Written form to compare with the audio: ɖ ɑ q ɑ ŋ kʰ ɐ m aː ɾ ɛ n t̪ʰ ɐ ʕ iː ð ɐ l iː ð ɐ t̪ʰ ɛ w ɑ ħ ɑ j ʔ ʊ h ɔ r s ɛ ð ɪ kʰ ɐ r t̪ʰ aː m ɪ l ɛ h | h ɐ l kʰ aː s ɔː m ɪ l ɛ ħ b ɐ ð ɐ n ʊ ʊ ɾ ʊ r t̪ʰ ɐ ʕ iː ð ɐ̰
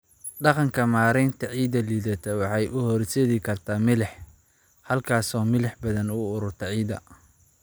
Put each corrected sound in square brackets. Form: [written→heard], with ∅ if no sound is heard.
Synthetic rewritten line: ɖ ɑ q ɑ ŋ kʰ ɐ m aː ɾ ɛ n t̪ʰ ɐ ʕ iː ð ɐ l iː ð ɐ t̪ʰ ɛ w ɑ ħ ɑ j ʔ ʊ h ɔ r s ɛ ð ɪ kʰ ɐ r t̪ʰ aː m ɪ l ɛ [h→ħ] | h ɐ l kʰ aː s ɔː m ɪ l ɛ ħ b ɐ ð ɐ n ʊ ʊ ɾ ʊ r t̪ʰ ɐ ʕ iː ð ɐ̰